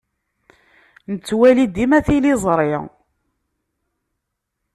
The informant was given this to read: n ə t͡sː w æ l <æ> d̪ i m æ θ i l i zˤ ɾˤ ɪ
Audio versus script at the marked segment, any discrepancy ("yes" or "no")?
yes